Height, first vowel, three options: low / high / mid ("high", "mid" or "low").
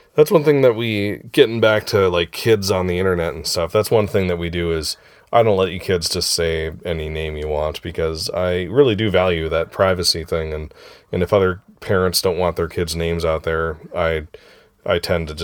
low